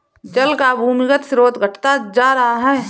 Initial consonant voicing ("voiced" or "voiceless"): voiced